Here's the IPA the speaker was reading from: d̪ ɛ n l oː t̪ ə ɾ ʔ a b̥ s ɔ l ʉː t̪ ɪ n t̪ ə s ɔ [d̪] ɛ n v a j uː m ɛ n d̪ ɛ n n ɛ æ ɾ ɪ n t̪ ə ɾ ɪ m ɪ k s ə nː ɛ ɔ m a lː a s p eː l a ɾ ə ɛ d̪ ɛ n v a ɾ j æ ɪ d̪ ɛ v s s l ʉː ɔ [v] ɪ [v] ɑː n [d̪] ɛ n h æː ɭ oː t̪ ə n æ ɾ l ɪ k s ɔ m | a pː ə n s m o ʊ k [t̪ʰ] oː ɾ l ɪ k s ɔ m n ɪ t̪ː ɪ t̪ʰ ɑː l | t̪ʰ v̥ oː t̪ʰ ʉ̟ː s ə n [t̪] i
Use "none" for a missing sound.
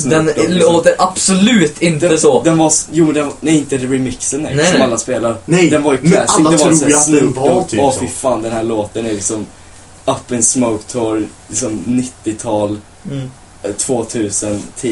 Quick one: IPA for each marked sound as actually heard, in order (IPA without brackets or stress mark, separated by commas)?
d̪, f, f, d̪, t̪ʰ, t̪ʰ